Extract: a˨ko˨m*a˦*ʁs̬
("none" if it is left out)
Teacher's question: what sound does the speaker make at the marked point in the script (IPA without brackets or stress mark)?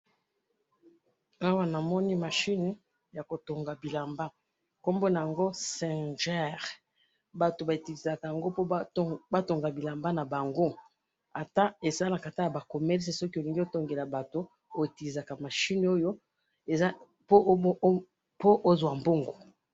ɛ˦